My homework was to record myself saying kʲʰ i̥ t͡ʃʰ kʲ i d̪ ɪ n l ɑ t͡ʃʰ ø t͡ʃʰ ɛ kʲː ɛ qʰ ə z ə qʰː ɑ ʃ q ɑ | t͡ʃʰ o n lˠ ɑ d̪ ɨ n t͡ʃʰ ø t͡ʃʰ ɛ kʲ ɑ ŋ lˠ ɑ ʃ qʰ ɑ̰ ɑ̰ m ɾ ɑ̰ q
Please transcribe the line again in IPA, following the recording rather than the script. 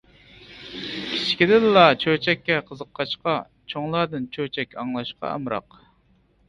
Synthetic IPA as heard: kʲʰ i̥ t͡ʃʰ kʲ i d̪ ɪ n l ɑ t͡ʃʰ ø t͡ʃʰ ɛ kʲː ɛ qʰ ə z ə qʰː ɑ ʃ q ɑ | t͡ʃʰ o ŋ lˠ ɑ d̪ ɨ n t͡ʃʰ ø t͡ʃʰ ɛ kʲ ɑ ŋ lˠ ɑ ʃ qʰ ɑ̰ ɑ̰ m ɾ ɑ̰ q